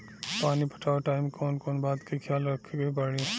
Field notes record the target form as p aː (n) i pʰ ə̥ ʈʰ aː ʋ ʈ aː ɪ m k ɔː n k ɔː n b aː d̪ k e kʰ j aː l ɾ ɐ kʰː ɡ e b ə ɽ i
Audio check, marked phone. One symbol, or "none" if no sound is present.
n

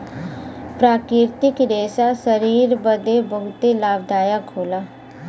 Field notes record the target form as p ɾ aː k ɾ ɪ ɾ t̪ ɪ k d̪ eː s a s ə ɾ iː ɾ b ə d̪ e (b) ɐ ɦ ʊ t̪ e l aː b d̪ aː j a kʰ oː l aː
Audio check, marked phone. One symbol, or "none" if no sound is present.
b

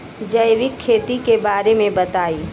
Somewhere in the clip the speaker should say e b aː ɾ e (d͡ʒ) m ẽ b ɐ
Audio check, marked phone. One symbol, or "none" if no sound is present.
none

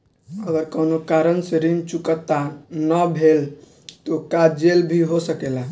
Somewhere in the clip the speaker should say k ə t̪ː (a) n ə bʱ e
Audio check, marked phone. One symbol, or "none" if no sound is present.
a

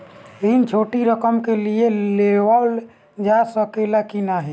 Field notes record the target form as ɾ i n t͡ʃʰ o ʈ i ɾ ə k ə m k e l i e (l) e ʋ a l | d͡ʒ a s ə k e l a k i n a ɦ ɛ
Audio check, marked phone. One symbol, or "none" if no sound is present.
l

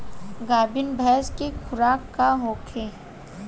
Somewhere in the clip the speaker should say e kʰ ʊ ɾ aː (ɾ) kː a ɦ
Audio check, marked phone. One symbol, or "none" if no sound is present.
none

